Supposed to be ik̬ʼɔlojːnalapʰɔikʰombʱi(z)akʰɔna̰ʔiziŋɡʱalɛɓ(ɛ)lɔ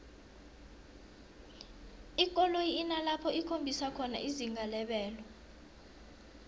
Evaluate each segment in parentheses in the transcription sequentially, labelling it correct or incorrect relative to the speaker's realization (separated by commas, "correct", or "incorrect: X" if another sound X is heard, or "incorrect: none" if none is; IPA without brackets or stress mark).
incorrect: s, incorrect: ɛː